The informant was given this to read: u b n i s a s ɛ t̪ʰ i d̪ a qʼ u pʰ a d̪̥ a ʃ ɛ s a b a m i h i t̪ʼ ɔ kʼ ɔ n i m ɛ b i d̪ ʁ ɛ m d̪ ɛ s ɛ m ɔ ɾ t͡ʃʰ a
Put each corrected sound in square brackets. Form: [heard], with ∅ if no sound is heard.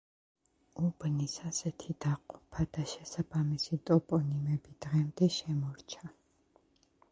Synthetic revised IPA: u b n i s a s ɛ t̪ʰ i d̪ a qʼ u pʰ a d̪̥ a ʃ ɛ s a b a m i [s] i t̪ʼ ɔ [pʼ] ɔ n i m ɛ b i d̪ ʁ ɛ m d̪ ɛ [ʃ] ɛ m ɔ ɾ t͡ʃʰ a